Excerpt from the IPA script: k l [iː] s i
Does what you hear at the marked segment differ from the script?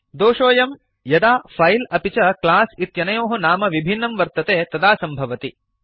yes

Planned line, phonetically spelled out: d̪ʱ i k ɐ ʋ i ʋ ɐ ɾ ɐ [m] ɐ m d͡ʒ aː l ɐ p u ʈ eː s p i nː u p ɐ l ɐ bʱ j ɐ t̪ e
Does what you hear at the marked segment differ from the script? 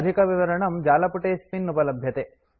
yes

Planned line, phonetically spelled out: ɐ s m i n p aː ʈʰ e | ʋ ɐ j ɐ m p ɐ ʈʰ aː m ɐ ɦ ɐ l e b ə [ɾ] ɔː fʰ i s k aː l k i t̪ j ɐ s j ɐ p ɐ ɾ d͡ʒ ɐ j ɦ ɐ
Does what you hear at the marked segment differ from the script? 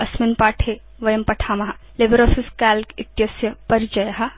no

